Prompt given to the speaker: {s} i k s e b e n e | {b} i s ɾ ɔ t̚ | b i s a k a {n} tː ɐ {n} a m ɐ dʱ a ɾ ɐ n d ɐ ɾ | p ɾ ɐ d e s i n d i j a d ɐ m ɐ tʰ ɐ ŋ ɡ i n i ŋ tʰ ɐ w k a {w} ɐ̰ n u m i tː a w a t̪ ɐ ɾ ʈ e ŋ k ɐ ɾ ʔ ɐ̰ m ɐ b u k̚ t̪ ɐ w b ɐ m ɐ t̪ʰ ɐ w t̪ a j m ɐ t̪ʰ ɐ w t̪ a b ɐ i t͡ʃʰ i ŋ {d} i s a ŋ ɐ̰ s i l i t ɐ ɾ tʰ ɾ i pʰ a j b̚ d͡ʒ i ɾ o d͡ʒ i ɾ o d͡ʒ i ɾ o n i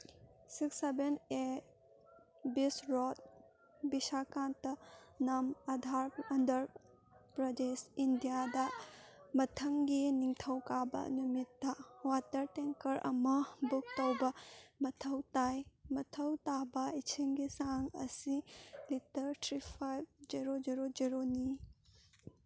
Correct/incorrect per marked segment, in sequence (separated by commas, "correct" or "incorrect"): correct, correct, correct, correct, incorrect, incorrect